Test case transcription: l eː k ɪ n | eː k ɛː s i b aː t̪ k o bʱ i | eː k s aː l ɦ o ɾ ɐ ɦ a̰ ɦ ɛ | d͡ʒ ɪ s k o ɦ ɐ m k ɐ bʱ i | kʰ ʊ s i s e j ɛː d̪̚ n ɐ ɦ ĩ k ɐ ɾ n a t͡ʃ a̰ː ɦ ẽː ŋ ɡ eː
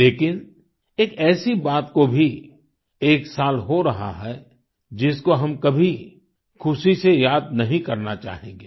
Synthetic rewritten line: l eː k ɪ n | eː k ɛː s i b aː t̪ k o bʱ i | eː k s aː l ɦ o ɾ ɐ ɦ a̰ ɦ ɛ | d͡ʒ ɪ s k o ɦ ɐ m k ɐ bʱ i | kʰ ʊ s i s e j aː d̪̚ n ɐ ɦ ĩ k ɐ ɾ n a t͡ʃ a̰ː ɦ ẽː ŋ ɡ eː